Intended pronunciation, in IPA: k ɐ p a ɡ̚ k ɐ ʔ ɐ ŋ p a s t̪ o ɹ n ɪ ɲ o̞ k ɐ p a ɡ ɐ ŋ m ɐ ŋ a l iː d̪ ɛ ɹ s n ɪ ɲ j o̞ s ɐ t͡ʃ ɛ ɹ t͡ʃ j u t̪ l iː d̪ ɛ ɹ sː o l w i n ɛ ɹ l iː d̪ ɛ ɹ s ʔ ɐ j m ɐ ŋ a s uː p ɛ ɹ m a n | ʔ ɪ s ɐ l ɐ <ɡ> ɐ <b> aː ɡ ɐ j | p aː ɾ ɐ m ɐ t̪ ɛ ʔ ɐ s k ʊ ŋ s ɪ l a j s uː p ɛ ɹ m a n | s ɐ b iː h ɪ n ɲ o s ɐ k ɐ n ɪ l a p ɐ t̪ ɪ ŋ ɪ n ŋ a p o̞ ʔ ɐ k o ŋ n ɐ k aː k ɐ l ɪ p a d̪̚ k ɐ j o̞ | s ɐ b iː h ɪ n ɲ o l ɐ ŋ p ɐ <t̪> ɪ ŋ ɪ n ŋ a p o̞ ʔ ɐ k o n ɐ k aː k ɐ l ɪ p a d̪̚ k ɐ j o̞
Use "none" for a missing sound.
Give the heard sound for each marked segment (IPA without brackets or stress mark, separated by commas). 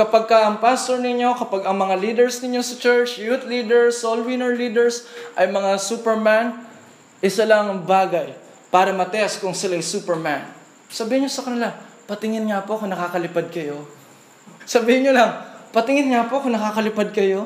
ŋ, b, t̪